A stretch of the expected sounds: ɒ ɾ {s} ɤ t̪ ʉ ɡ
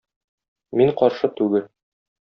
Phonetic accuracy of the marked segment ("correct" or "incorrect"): incorrect